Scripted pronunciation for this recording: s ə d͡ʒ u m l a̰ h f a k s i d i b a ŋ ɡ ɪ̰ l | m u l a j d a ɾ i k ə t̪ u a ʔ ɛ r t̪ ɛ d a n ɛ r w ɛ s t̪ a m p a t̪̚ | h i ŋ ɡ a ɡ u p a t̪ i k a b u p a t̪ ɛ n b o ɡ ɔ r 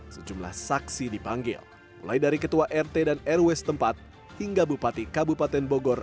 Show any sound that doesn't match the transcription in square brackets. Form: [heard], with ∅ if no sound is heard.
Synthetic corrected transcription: s ə d͡ʒ u m l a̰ h [s] a k s i d i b a ŋ ɡ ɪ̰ l | m u l a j d a ɾ i k ə t̪ u a ʔ ɛ r t̪ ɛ d a n ɛ r w ɛ s t̪ [ə] m p a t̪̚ | h i ŋ ɡ a [b] u p a t̪ i k a b u p a t̪ ɛ n b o ɡ ɔ r